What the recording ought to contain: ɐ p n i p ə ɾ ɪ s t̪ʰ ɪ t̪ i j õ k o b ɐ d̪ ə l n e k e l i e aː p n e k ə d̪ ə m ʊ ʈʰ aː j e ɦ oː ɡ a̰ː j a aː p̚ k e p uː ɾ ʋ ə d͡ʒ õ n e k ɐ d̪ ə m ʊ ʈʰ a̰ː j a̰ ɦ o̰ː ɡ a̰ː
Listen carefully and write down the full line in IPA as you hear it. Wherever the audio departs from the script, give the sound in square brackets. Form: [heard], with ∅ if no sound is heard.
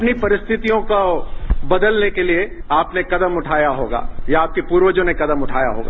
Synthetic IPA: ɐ p n i p [ɐ] ɾ ɪ s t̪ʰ ɪ t̪ i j õ k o b ɐ d̪ ə l n e k e l i e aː p n e k [ɐ] d̪ ə m ʊ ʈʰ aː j [a] ɦ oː ɡ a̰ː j a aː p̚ k e p uː ɾ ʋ ə d͡ʒ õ n e k ɐ d̪ ə m ʊ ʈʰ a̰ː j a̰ ɦ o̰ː ɡ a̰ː